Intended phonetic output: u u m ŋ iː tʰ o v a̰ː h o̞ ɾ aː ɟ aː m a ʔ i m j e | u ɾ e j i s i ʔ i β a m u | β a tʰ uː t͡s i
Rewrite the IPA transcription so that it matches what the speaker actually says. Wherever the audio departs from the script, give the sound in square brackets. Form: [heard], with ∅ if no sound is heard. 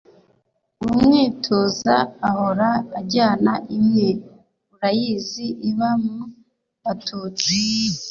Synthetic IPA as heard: u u m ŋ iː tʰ o [z] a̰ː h o̞ ɾ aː ɟ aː [n] a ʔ i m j e | u ɾ [a] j i [z] i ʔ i β a m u | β a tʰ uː t͡s i